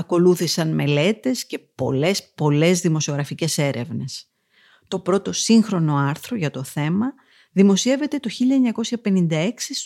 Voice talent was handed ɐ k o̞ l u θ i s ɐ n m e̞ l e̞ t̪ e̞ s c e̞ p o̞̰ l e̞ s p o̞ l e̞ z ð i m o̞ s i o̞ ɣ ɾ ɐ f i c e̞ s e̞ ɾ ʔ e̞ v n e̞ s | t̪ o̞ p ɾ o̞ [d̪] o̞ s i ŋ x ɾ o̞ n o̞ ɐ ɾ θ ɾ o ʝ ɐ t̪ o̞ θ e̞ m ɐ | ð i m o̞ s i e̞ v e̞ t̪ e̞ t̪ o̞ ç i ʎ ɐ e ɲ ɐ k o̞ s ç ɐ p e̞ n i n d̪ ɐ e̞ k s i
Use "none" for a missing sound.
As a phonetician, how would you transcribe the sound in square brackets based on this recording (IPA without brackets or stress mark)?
t̪